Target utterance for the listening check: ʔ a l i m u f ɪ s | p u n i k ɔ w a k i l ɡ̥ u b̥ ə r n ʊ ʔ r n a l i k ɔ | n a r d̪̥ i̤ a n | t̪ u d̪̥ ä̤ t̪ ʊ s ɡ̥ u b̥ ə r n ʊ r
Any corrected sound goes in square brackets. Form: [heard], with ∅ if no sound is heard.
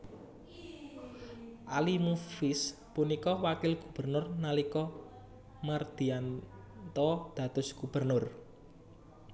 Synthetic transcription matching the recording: ʔ a l i m u f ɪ s | p u n i k ɔ w a k [ɪ] l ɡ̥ u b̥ ə r n ʊ [∅] r n a l i k ɔ | [m] a r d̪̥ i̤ a n | t̪ [ɔ] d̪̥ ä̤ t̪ ʊ s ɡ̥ u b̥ ə r n ʊ r